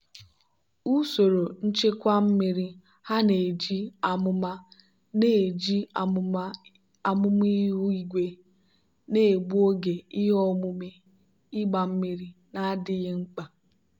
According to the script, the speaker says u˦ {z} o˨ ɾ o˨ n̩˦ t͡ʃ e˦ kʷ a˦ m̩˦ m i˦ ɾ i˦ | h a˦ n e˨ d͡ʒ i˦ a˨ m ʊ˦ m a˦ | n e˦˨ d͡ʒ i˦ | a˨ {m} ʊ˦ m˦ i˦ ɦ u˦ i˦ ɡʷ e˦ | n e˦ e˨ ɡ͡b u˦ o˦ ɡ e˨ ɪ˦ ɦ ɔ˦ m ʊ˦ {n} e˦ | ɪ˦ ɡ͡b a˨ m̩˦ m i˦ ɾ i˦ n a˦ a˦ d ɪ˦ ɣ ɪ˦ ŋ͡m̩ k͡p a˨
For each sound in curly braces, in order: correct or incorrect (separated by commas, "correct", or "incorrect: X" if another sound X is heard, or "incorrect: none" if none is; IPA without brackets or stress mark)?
incorrect: s, correct, incorrect: m